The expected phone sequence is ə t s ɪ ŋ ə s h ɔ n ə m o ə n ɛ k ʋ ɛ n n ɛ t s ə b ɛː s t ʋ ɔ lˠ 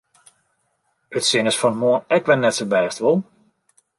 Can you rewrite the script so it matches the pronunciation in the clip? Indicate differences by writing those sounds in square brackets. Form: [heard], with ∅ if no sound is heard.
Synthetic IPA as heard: ə t s ɪ ŋ ə s [f] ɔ n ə m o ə n ɛ k ʋ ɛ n n ɛ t s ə b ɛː s t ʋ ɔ lˠ